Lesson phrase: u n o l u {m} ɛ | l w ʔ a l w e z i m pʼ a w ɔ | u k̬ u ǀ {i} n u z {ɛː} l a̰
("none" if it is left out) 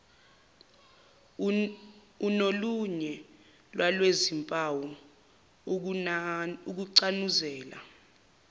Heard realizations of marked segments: ɲ, a, ɛː

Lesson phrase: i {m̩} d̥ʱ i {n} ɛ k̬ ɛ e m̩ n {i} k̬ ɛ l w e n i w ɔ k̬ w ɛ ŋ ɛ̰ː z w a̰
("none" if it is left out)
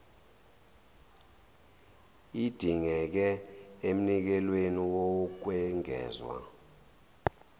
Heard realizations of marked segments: none, ŋ, i

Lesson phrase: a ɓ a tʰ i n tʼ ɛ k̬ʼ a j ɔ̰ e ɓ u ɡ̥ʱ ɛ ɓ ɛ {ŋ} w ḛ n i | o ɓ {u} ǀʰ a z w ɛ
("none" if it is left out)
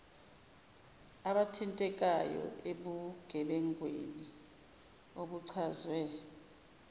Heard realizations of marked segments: ŋ, u

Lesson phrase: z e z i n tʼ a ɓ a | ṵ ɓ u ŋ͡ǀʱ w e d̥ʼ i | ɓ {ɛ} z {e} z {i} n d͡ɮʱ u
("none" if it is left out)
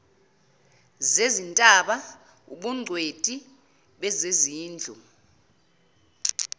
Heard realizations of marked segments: ɛ, e, iː

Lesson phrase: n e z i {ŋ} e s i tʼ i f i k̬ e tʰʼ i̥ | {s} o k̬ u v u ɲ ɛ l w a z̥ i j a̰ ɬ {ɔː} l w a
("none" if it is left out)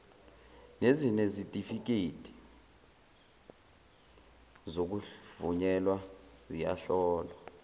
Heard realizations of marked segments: n, z, ɔː

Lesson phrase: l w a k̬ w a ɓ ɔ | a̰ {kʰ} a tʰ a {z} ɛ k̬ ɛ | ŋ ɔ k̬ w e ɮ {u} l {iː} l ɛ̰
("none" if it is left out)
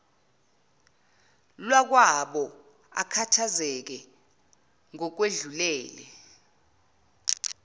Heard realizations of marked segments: kʰ, z, u, ɛː

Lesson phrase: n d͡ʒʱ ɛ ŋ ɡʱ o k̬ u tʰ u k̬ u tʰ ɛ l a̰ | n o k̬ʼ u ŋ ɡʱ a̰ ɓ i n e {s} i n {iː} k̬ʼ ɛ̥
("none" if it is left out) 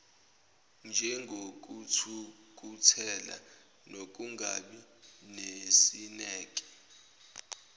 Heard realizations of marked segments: s, ɛː

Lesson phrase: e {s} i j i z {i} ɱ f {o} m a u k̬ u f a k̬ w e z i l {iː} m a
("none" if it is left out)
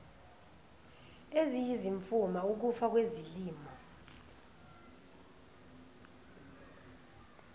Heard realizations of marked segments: z, i, u, iː

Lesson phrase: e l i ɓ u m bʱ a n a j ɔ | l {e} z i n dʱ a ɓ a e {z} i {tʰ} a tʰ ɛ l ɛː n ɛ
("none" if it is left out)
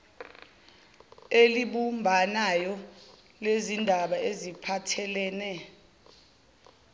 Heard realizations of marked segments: e, z, pʰ

